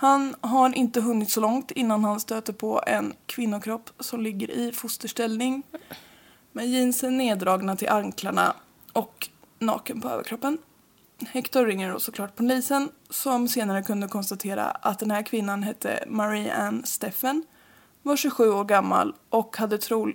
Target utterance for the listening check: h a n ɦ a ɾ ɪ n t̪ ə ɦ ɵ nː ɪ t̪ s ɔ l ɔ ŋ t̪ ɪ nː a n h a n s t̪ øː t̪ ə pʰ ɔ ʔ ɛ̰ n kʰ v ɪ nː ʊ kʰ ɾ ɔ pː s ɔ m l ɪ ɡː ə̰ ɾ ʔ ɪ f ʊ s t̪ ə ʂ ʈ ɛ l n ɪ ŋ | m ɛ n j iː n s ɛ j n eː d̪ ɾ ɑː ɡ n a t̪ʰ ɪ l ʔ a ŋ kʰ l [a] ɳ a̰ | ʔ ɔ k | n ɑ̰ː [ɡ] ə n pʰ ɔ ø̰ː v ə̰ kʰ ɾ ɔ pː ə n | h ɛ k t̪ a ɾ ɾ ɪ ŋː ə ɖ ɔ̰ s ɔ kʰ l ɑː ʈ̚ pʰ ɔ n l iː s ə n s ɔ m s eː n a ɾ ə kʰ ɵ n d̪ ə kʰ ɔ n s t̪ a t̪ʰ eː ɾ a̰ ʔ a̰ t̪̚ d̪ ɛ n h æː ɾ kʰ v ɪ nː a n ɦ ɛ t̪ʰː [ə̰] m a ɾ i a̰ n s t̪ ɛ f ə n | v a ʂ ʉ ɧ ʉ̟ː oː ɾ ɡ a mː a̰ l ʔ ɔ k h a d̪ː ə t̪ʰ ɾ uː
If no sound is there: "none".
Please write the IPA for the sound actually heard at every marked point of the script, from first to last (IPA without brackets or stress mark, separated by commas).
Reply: a, k, ə̰